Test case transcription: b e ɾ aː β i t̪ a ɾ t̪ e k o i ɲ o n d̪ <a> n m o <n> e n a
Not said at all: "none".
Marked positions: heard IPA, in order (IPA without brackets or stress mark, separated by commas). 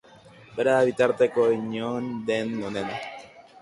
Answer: e, n